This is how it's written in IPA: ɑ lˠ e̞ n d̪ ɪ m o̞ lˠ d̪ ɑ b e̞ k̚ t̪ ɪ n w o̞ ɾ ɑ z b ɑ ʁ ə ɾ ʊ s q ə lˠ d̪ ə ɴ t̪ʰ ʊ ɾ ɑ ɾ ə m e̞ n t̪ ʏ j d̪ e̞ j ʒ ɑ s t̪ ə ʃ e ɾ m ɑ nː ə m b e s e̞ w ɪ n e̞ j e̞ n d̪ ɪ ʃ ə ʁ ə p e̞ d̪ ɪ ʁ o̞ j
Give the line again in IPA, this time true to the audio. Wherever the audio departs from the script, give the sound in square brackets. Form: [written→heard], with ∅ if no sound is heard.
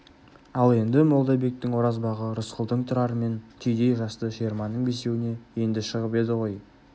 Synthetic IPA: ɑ lˠ e̞ n d̪ ɪ m o̞ lˠ d̪ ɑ b e̞ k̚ t̪ ɪ [n→ŋ] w o̞ ɾ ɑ z b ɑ ʁ ə ɾ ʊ s q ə lˠ d̪ ə ɴ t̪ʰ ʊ ɾ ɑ ɾ ə m e̞ n [t̪→t̪ʰ] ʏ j d̪ e̞ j ʒ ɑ s t̪ ə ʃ e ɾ m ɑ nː ə [m→ɴ] b e s e̞ w ɪ n e̞ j e̞ n d̪ ɪ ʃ ə ʁ ə p e̞ d̪ ɪ ʁ o̞ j